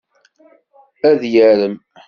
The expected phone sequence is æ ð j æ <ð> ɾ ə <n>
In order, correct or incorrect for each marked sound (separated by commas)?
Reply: incorrect, incorrect